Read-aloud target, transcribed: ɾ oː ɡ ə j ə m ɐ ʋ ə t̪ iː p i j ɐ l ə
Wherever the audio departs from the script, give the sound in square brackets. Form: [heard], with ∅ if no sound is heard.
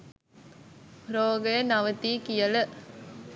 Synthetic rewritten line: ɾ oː ɡ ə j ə [n] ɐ ʋ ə t̪ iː [k] i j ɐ l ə